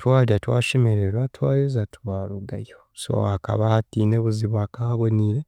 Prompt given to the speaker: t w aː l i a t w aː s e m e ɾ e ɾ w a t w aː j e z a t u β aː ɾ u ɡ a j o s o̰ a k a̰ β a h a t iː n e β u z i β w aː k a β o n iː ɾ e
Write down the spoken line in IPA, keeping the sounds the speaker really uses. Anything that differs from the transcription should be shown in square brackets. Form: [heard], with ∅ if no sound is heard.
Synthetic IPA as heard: t w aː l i a t w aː [ʃ] e m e ɾ e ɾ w a t w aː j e z a t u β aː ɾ u ɡ a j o s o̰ a k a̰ β a h a t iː n e β u z i β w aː k a β o n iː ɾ e